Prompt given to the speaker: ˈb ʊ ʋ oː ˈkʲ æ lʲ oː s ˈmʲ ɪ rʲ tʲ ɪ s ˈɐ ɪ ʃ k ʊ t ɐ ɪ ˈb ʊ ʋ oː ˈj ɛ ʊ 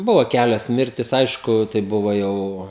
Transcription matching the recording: ˈb ʊ ʋ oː ˈkʲ æ lʲ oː s ˈmʲ ɪ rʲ tʲ ɪ s ˈɐ ɪ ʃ k ʊ t ɐ ɪ ˈb ʊ ʋ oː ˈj ɛ ʊ